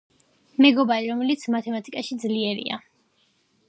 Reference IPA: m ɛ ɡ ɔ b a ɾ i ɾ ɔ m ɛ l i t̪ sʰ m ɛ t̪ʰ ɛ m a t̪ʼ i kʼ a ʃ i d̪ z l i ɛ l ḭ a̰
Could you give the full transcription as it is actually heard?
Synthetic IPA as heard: m ɛ ɡ ɔ b a ɾ i ɾ ɔ m ɛ l i t̪ sʰ m a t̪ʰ ɛ m a t̪ʼ i kʼ a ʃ i d̪ z l i ɛ ɾ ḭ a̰